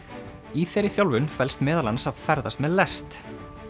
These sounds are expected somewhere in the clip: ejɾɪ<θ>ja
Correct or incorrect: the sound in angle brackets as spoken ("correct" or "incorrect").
correct